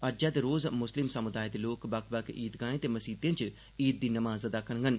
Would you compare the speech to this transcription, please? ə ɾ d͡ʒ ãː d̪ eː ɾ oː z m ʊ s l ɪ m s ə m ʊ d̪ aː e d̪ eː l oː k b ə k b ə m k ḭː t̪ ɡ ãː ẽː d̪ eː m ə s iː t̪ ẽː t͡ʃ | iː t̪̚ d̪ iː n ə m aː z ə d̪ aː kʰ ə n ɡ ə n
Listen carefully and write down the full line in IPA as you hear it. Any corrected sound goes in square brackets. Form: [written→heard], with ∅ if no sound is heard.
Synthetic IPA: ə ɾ d͡ʒ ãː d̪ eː ɾ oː z m ʊ s l ɪ m s ə m ʊ d̪ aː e d̪ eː l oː k b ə k b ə [m→∅] k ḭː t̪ ɡ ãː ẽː [d̪→t̪] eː m ə s iː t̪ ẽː t͡ʃ | iː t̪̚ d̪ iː n ə m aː z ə d̪ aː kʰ ə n ɡ ə n